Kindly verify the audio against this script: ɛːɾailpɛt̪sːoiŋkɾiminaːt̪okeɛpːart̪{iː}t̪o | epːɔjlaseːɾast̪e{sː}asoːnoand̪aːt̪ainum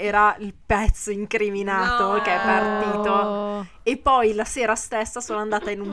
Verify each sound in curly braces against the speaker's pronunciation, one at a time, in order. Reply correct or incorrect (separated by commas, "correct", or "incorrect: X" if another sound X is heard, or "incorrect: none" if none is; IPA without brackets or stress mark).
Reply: correct, correct